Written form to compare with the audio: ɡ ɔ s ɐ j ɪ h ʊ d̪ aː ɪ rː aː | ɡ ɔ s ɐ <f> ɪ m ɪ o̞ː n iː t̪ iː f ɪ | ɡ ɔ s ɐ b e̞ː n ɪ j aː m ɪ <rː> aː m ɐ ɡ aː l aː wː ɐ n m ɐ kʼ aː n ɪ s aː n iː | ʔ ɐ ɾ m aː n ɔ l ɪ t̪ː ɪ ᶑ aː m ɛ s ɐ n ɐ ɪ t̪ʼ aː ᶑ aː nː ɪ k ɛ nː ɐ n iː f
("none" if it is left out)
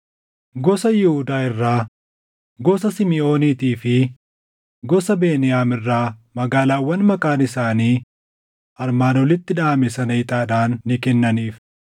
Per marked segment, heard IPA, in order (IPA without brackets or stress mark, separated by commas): s, rː